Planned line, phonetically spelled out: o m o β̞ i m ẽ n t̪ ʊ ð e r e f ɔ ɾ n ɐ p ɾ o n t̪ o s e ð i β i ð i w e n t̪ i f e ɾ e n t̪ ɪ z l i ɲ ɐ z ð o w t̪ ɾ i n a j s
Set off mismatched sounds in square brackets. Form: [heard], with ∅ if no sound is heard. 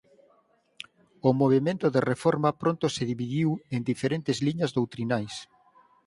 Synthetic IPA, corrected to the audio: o m o β̞ [e] m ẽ n t̪ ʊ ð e r e f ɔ ɾ [m] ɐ p ɾ o n t̪ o s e ð i β i ð i w e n [d̪] i f e ɾ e n t̪ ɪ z l i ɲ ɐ z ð o w t̪ ɾ i n a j s